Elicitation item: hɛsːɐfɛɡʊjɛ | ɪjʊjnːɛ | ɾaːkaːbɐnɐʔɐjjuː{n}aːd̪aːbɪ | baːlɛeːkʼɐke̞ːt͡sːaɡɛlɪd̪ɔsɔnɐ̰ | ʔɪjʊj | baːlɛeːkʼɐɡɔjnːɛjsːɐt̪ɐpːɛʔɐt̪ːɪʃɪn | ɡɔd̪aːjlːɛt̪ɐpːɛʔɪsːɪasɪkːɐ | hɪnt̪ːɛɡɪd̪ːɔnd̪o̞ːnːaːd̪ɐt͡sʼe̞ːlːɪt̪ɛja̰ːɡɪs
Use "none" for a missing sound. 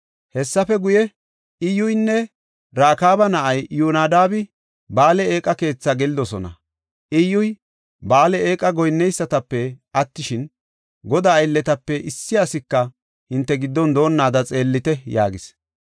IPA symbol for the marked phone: n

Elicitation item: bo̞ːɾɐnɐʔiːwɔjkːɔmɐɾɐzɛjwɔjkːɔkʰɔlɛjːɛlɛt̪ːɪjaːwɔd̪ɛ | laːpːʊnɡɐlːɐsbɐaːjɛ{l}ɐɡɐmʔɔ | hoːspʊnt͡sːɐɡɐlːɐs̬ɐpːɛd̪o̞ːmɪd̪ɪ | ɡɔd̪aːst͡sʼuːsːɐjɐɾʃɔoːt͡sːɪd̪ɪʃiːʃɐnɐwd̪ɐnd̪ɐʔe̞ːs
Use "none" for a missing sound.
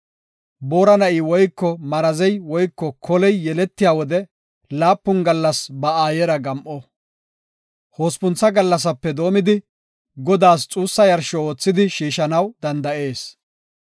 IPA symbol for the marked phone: ɾ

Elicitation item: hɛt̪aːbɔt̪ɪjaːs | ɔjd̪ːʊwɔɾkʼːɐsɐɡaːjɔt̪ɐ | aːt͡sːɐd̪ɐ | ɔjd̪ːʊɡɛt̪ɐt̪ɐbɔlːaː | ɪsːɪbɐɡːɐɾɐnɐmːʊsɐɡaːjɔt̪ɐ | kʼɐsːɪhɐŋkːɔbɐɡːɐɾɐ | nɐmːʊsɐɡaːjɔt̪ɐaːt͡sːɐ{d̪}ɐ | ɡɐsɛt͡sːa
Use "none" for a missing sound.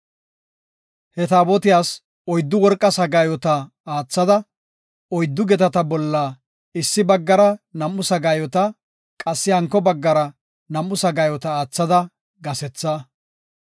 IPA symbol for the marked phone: d̪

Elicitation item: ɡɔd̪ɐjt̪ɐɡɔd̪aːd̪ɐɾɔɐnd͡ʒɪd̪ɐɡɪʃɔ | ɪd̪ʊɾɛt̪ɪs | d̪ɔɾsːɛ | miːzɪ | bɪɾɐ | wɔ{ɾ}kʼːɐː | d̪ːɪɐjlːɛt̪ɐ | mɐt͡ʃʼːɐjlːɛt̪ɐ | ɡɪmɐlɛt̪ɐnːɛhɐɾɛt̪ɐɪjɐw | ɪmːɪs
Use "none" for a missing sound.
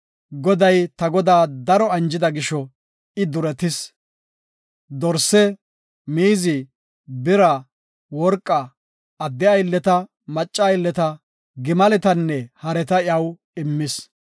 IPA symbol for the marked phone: ɾ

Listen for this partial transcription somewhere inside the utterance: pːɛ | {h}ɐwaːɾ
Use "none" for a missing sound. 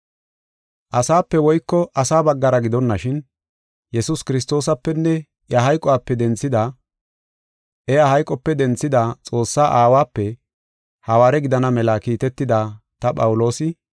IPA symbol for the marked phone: h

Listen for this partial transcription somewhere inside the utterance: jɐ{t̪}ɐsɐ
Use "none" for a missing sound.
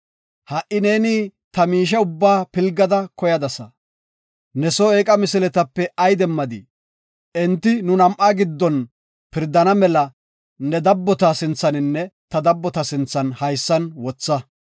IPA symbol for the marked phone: d̪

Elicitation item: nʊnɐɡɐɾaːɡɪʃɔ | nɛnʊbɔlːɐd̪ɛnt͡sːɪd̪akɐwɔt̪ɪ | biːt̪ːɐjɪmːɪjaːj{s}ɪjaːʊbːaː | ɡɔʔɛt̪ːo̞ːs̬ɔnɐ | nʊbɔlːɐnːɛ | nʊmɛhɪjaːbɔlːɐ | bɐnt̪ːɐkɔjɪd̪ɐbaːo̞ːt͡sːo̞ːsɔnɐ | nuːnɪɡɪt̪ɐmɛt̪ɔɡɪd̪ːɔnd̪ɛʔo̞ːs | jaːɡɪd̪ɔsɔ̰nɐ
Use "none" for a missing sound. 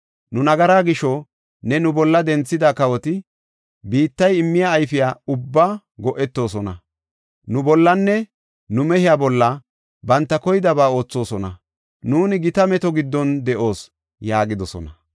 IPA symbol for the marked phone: f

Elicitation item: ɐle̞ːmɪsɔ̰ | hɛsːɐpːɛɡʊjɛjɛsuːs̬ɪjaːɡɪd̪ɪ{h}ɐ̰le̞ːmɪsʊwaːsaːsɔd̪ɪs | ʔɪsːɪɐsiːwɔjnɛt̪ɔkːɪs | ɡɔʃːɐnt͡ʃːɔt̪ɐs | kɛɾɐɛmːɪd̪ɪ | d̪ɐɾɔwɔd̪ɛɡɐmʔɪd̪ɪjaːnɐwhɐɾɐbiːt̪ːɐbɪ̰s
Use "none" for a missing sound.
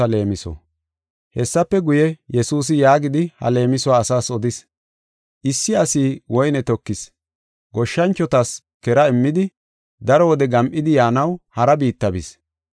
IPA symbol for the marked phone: h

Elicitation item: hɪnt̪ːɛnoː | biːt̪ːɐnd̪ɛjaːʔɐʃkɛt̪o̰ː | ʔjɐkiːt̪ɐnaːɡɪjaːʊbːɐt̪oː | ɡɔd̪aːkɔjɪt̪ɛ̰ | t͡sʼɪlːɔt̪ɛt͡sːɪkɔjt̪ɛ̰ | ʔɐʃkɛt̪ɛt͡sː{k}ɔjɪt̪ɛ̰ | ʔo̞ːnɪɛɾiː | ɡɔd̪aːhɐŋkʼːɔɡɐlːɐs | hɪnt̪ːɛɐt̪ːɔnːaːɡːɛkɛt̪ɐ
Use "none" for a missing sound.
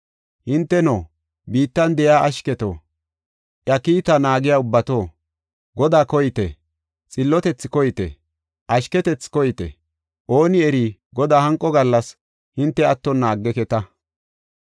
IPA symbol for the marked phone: k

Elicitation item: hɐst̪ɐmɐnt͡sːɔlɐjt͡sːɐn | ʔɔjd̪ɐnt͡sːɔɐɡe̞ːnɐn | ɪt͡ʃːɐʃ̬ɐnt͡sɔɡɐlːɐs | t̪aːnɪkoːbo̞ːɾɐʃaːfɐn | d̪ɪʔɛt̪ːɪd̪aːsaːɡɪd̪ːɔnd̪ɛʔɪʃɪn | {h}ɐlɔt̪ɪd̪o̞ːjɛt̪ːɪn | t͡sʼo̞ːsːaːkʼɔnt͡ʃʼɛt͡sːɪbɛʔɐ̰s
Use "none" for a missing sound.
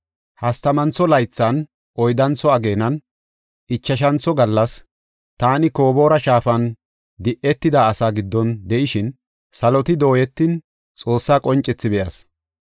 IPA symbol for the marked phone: s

